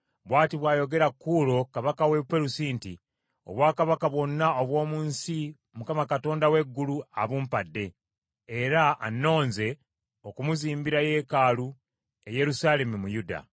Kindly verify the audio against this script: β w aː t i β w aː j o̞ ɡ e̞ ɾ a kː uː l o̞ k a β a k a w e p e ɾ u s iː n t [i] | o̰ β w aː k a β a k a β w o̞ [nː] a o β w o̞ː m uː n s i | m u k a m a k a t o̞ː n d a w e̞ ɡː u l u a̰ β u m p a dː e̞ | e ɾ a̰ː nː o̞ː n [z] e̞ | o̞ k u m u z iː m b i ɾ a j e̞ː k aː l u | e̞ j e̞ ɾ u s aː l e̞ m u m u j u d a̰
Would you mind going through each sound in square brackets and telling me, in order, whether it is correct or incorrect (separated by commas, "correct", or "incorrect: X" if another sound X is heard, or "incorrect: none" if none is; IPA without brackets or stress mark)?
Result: correct, correct, correct